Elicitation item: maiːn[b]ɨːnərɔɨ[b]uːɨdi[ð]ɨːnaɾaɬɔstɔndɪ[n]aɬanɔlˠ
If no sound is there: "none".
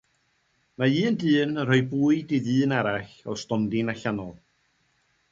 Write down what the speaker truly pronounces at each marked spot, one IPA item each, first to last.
d, b, ð, n

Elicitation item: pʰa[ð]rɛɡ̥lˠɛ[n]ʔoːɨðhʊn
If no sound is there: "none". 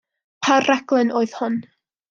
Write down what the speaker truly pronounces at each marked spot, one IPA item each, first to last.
none, n

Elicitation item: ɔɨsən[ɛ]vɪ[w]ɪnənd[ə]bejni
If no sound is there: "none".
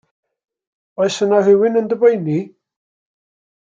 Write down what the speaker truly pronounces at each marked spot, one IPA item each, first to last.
a, w, ə

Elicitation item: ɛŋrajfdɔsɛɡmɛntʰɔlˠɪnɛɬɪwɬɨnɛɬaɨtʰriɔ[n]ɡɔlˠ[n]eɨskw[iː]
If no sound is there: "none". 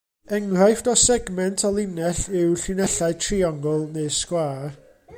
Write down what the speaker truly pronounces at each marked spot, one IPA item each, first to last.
ŋ, n, aː

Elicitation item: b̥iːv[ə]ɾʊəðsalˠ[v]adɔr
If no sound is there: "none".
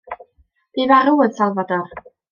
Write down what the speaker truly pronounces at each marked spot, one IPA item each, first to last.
a, v

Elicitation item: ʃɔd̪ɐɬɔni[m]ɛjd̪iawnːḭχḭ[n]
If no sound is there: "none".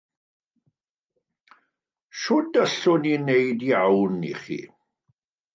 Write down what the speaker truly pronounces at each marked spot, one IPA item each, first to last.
n, none

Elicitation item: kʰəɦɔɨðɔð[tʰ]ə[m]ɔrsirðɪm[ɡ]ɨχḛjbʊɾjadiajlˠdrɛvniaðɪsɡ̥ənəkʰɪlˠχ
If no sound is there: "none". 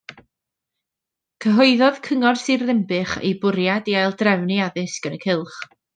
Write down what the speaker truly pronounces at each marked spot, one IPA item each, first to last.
kʰ, ŋ, b

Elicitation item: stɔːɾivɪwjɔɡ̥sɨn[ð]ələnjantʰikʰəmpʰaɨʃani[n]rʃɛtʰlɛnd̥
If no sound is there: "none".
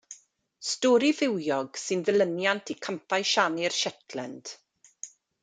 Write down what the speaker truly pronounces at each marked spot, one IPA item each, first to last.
ð, none

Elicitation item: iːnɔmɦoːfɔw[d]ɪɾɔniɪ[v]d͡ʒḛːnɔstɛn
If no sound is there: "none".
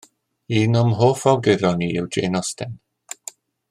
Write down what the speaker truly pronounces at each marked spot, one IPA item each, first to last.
ɡ, w

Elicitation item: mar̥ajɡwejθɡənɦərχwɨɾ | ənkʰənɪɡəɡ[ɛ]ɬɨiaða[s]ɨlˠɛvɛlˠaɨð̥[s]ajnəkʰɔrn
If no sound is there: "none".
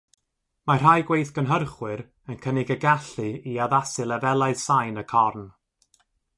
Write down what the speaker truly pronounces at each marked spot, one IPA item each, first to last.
a, s, s

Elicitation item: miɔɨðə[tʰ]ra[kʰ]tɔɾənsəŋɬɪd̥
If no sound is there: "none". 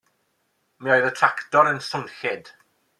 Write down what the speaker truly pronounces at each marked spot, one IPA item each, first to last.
tʰ, k

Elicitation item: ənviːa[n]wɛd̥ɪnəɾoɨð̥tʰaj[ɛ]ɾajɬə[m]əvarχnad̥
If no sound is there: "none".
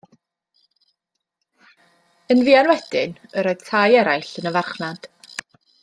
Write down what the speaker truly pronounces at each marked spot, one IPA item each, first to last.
n, ɛ, n

